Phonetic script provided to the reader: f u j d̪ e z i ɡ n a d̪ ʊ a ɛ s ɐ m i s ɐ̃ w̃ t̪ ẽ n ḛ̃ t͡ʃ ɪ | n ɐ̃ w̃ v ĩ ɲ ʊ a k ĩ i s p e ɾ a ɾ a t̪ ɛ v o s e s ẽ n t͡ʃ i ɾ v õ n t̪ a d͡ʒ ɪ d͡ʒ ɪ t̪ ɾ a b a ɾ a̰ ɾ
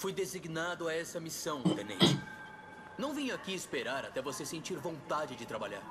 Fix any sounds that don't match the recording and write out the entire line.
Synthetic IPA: f u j d̪ e z i ɡ n a d̪ ʊ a ɛ s ɐ m i s ɐ̃ w̃ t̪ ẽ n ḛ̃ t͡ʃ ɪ | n ɐ̃ w̃ v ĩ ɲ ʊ a k i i s p e ɾ a ɾ a t̪ ɛ v o s e s ẽ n t͡ʃ i ɾ v õ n t̪ a d͡ʒ ɪ d͡ʒ ɪ t̪ ɾ a b a ʎ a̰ ɾ